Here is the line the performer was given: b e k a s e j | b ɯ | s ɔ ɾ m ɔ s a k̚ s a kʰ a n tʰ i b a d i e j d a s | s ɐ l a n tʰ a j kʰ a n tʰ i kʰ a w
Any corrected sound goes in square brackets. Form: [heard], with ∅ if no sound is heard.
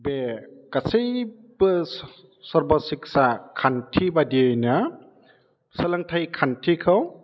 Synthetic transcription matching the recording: b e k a s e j | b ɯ | s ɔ ɾ [b] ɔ s [i] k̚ s a kʰ a n tʰ i b a d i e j [n] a [∅] | s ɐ l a [ŋ] tʰ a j kʰ a n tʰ i kʰ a w

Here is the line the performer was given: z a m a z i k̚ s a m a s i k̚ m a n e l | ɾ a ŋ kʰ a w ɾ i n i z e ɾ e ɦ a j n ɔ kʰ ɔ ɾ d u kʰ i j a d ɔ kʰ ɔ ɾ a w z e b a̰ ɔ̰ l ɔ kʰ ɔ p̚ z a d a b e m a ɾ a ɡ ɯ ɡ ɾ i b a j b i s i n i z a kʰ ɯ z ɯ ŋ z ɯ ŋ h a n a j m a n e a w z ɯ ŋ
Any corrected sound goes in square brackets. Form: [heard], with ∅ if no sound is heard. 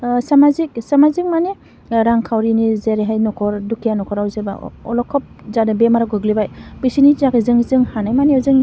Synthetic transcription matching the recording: [s] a m a z i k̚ s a m a [z] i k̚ m a n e [∅] | ɾ a ŋ kʰ a w ɾ i n i z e ɾ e ɦ a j n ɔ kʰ ɔ ɾ d u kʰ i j a [n] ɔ kʰ ɔ ɾ a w z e b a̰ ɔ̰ l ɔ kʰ ɔ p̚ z a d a b e m a ɾ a ɡ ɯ ɡ [l] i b a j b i s i n i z a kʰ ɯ z ɯ ŋ z ɯ ŋ h a n a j m a n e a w z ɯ ŋ

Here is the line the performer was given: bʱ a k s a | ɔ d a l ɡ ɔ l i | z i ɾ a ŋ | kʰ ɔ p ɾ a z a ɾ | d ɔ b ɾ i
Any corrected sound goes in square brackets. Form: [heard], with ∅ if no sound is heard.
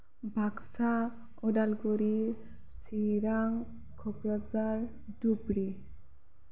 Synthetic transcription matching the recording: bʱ a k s a | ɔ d a l ɡ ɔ [ɾ] i | [s] i ɾ a ŋ | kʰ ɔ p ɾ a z a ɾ | d [u] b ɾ i

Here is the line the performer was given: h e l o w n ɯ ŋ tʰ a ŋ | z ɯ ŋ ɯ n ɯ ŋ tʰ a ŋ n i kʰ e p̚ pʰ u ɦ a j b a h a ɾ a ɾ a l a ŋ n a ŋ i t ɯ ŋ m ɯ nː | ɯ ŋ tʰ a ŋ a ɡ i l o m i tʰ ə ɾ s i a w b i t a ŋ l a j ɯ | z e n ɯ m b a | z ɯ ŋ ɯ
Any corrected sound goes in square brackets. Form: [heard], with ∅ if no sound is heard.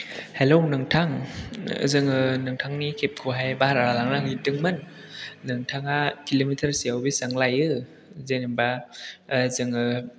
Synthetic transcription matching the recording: h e l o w n ɯ ŋ tʰ a ŋ | z ɯ ŋ ɯ n ɯ ŋ tʰ a ŋ n i kʰ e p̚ [kʰ] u ɦ a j b a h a ɾ a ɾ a l a ŋ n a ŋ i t ɯ ŋ m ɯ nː | ɯ ŋ tʰ a ŋ a [k] i l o m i tʰ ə ɾ s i a w b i [s] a ŋ l a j ɯ | z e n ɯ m b a | z ɯ ŋ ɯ

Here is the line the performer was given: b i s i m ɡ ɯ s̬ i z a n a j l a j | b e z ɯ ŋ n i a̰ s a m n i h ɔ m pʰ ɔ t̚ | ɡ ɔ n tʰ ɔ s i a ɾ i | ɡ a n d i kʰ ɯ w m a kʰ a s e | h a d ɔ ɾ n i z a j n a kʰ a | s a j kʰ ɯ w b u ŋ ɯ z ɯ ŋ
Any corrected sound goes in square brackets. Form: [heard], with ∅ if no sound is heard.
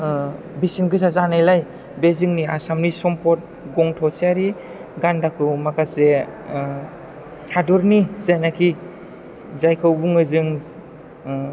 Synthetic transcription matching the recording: b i s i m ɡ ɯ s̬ [a] z a n a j l a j | b e z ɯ ŋ n i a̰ s a m n i [s] ɔ m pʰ ɔ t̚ | ɡ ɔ [ŋ] tʰ ɔ s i a ɾ i | ɡ a n d [a] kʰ ɯ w m a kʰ a s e | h a d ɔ ɾ n i z a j n a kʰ [i] | [z] a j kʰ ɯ w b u ŋ ɯ z ɯ ŋ

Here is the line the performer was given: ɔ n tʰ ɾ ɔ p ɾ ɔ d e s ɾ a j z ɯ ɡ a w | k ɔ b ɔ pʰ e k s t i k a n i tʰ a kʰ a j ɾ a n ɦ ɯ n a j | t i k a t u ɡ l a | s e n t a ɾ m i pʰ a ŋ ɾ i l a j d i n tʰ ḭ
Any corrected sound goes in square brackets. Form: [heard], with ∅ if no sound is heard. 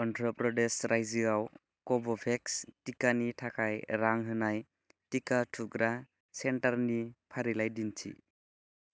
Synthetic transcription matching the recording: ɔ n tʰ ɾ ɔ p ɾ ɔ d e s ɾ a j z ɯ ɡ a w | k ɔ b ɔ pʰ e k s t i k a n i tʰ a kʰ a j ɾ a [ŋ] ɦ ɯ n a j | t i k a [tʰ] u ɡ [ɾ] a | s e n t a ɾ [n] i pʰ a [∅] ɾ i l a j d i n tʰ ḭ

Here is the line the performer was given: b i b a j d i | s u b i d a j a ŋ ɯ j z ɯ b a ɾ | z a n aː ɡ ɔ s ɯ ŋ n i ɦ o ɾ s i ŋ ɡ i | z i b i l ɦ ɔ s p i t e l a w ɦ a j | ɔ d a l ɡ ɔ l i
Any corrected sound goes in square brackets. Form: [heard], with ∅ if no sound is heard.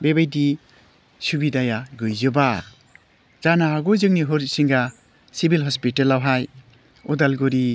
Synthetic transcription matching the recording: b [e] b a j d i | s u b i d a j a [ɡ] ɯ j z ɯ b a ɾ | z a n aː ɡ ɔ [z] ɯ ŋ n i ɦ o ɾ s i ŋ ɡ [a] | [s] i b i l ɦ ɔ s p i t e l a w ɦ a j | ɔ d a l ɡ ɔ [ɾ] i

